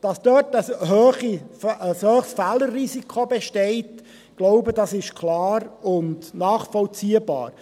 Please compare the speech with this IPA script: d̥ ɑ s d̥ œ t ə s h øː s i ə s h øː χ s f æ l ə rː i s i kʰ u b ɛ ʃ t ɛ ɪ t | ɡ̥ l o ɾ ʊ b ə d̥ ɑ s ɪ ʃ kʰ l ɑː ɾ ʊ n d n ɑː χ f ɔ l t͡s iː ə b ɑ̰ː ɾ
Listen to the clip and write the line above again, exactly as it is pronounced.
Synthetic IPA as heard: d̥ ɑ s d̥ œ t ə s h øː χ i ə s h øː χ s f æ l ə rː i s i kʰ o b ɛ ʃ t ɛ ɪ t | ɡ̥ l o ʊ b ə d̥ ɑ s ɪ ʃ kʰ l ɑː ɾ ʊ n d n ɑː χ f ɔ l t͡s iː ə b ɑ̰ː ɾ